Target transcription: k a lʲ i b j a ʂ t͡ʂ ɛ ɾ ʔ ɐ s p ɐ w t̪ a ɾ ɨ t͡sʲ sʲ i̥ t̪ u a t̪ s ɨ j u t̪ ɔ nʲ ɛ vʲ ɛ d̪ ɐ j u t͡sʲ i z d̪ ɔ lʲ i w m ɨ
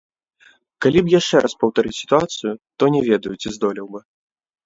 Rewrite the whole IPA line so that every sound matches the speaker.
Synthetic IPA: k a lʲ i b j a ʂ t͡ʂ ɛ ɾ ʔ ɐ s p ɐ w t̪ a ɾ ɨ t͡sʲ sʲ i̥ t̪ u a t̪ s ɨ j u t̪ ɔ nʲ ɛ vʲ ɛ d̪ ɐ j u t͡sʲ i z d̪ ɔ lʲ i w b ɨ